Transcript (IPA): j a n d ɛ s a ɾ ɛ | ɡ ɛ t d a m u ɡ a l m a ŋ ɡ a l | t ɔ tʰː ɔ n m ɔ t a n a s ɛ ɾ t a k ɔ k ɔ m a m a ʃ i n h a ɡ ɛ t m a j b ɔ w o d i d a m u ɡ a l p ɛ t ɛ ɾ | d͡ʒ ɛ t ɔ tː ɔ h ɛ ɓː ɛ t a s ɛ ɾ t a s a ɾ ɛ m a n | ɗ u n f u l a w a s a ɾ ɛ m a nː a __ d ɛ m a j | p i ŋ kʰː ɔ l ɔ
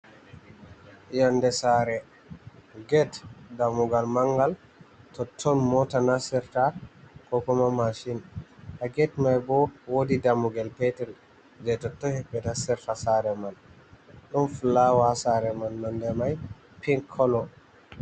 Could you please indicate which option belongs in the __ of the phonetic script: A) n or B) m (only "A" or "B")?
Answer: A